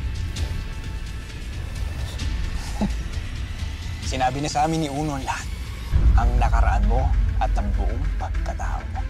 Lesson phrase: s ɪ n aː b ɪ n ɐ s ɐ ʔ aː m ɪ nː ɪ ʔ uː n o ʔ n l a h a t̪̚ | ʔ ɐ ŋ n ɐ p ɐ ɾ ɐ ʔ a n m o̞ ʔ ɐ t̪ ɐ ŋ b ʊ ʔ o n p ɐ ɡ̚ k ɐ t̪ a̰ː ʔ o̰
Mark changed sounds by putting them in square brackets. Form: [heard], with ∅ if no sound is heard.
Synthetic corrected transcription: s ɪ n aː b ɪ n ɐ s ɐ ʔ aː m ɪ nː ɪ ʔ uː n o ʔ n l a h a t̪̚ | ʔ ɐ ŋ n ɐ [k] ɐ ɾ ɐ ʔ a n m o̞ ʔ ɐ t̪ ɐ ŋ b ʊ ʔ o [ŋ] p ɐ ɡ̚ k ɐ t̪ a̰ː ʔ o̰